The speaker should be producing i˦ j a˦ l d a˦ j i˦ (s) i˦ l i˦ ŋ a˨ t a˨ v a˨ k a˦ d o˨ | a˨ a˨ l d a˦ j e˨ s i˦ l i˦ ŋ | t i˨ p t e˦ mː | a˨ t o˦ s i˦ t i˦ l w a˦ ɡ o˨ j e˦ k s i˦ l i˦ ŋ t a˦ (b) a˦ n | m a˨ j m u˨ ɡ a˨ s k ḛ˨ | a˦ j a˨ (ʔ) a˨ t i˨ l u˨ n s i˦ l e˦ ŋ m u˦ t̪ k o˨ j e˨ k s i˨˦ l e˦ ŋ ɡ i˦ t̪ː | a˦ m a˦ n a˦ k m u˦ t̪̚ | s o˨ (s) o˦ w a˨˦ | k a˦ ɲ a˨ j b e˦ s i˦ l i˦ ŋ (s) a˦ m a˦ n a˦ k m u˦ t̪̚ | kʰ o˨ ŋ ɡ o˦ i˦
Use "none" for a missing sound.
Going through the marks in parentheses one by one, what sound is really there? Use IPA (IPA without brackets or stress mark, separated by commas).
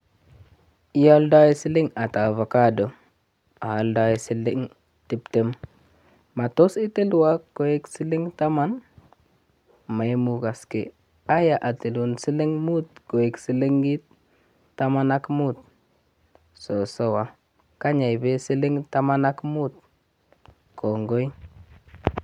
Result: s, m, ʔ, s, t